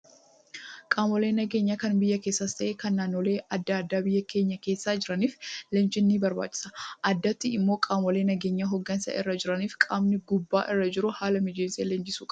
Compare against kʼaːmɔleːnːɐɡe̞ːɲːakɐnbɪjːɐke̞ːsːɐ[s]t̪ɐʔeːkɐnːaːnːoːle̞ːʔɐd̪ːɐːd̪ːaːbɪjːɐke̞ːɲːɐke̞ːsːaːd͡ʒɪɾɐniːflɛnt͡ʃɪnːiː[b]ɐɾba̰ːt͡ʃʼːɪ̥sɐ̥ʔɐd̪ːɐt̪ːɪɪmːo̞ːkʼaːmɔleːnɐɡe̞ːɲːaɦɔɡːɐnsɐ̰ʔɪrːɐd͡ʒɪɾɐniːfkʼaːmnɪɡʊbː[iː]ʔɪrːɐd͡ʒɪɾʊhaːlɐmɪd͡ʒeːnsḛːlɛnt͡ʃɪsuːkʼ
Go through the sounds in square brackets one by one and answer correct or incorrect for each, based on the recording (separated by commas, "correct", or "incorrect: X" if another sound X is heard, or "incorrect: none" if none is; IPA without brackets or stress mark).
correct, correct, incorrect: aː